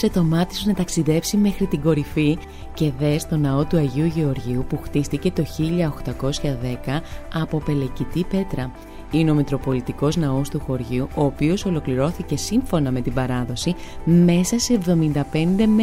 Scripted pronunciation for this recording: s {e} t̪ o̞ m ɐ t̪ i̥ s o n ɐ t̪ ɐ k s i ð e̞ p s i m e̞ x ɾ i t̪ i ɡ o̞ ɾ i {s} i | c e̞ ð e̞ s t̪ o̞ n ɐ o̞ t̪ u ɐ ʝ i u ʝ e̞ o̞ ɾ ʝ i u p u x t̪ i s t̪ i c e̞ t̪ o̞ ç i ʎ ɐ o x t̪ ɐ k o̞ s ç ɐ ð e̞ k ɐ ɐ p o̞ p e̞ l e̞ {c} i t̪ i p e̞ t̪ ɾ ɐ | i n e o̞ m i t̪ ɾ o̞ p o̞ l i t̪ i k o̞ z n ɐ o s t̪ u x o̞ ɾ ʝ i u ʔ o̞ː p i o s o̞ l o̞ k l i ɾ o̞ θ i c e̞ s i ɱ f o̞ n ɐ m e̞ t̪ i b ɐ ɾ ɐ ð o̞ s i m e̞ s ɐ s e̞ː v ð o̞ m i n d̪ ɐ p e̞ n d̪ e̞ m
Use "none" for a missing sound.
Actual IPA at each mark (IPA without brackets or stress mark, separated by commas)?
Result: e, f, c